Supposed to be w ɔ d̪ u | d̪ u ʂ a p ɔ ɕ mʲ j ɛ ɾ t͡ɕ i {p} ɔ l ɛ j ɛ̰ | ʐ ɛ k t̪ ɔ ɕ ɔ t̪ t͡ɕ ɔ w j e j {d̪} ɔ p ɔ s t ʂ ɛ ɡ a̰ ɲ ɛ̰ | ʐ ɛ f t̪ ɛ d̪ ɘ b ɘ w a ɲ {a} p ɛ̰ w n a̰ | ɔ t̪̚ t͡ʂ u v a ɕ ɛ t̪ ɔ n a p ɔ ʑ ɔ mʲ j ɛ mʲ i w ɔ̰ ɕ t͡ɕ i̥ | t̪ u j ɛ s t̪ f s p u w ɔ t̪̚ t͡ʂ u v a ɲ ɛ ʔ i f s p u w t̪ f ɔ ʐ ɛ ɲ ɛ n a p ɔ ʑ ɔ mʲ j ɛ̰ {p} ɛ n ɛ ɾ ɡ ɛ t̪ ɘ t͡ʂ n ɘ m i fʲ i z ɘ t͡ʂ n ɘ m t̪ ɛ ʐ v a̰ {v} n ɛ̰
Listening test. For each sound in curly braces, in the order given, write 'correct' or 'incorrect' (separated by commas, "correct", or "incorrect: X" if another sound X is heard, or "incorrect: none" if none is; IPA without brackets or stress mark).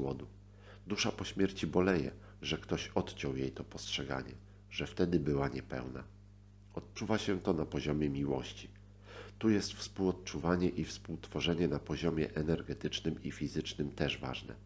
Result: incorrect: b, incorrect: t̪, incorrect: ɛ, incorrect: ʔ, incorrect: ʐ